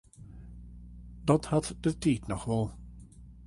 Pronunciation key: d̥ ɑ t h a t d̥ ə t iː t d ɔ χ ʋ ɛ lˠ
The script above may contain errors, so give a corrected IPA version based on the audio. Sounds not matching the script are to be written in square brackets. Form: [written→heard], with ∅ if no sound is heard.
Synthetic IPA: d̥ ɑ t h [a→ɑ] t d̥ ə t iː t [d→n] ɔ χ ʋ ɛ lˠ